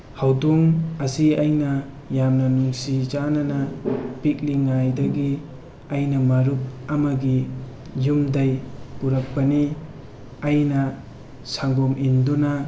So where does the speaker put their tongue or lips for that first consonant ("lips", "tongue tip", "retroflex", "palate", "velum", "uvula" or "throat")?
throat